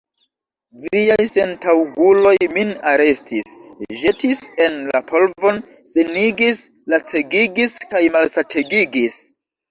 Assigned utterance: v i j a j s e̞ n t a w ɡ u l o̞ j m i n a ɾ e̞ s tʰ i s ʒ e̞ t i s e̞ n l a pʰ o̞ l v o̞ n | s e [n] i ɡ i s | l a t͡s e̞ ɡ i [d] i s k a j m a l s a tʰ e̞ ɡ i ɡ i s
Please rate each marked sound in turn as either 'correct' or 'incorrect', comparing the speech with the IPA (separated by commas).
correct, incorrect